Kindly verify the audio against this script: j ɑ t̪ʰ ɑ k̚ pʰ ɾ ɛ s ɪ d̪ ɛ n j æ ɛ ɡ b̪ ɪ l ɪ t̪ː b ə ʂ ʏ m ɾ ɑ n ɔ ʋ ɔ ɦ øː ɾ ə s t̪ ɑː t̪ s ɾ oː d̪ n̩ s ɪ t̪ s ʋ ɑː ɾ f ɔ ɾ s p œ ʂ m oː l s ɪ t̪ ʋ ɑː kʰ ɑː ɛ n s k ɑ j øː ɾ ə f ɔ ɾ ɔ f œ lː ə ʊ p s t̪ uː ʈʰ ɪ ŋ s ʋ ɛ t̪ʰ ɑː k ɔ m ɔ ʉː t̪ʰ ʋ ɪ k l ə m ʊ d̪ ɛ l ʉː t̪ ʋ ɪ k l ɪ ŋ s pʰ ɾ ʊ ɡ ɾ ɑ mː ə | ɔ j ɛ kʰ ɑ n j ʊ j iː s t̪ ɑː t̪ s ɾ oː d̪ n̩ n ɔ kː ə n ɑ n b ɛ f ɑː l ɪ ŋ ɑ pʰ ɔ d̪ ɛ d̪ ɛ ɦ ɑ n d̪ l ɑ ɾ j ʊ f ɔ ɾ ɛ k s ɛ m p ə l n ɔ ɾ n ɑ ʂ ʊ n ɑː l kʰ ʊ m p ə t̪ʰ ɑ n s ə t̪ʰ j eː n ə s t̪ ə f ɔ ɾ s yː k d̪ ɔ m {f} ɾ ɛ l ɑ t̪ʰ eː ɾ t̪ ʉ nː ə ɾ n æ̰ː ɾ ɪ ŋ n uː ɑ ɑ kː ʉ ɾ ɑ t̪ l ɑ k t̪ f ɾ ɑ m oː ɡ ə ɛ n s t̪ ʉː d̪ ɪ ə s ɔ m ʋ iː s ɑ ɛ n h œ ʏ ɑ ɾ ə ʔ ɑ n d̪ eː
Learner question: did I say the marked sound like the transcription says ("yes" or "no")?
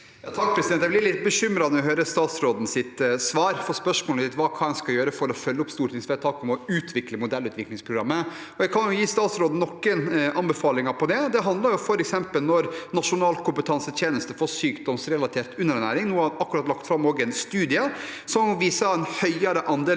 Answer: no